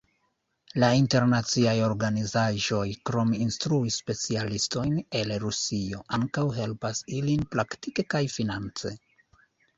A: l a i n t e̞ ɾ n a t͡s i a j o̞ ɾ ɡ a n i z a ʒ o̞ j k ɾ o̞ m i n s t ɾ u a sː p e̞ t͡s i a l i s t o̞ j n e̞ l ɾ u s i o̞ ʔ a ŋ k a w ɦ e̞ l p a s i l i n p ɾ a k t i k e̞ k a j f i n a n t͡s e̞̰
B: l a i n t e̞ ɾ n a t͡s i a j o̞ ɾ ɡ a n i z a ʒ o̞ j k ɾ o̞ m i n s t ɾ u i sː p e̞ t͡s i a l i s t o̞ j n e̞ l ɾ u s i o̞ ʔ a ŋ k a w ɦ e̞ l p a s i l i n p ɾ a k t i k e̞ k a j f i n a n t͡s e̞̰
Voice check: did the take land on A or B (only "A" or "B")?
B